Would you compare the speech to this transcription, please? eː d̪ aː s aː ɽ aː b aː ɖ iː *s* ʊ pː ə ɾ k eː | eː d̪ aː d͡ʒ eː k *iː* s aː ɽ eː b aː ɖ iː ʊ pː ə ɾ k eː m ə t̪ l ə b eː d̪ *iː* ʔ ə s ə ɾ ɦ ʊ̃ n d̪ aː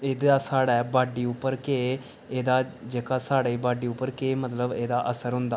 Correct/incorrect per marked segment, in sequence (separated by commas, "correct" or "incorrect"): incorrect, incorrect, incorrect